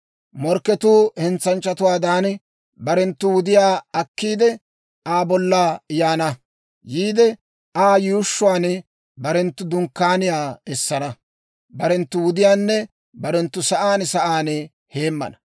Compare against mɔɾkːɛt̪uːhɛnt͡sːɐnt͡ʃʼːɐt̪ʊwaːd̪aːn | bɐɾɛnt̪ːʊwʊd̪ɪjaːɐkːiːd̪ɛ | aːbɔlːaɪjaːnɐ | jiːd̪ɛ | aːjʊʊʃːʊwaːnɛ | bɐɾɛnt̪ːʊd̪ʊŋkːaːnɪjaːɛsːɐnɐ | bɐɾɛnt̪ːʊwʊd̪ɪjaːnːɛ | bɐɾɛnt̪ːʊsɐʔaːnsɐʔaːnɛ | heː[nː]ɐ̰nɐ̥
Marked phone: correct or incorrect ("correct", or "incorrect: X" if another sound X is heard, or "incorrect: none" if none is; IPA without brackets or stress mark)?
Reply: incorrect: mː